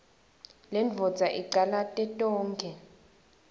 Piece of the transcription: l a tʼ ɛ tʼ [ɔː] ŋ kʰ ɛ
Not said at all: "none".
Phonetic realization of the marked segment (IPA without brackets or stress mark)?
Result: ɔː